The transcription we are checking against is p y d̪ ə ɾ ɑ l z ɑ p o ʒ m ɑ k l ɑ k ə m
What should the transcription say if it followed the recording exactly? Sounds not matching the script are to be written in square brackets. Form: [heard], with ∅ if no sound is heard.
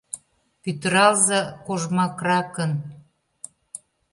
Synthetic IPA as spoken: p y [t̪] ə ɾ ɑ l z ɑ [k] o ʒ m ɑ k [r] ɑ k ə [n]